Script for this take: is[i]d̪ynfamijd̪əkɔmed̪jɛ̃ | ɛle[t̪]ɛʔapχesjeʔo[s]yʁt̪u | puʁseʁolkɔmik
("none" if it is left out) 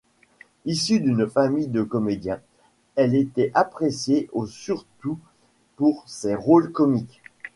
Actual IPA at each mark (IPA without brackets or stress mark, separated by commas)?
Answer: y, t̪, s